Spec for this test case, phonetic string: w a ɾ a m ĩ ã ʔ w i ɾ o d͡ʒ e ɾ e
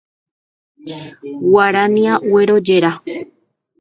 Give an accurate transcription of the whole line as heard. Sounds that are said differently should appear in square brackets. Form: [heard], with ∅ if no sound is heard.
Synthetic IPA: w a ɾ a [n] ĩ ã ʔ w [e] ɾ o d͡ʒ e ɾ [a]